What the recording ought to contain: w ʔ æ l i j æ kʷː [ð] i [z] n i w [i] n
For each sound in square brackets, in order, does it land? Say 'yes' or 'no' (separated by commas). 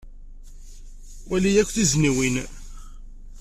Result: no, yes, yes